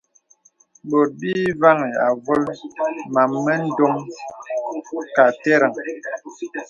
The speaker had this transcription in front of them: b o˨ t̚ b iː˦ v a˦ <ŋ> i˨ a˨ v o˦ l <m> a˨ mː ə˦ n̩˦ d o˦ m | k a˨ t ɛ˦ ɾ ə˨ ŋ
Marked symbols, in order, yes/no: yes, yes

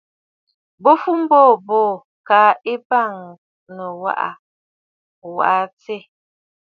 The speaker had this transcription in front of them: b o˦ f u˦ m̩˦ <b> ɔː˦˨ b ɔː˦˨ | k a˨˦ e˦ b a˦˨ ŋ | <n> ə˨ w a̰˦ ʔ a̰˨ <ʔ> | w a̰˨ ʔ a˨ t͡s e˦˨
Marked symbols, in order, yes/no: yes, yes, no

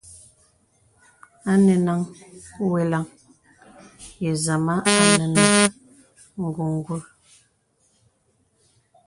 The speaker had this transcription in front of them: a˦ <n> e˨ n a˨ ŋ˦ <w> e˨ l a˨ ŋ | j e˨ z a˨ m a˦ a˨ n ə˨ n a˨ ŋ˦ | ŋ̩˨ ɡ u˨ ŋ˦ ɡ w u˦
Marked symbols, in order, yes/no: yes, yes

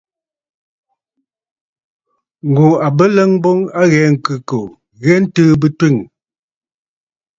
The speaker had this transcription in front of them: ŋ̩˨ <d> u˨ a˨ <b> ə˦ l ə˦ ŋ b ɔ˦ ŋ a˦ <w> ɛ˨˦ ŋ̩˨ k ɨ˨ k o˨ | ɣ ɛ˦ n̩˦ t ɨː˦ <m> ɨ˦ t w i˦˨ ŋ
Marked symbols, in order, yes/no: no, yes, no, no

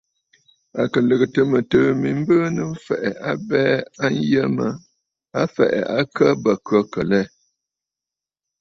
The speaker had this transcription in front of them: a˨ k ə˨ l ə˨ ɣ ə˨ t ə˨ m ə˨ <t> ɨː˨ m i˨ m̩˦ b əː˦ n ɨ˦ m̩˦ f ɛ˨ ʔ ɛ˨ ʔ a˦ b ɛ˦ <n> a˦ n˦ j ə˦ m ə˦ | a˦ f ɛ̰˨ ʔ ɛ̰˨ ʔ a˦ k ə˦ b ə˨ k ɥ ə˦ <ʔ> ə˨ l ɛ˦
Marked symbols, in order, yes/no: yes, no, no

